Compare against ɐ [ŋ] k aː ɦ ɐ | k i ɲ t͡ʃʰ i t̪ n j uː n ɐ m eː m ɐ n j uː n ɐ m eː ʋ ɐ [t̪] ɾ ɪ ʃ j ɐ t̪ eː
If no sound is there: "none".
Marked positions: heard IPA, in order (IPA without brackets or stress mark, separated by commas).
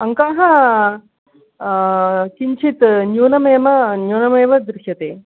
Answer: ŋ, d̪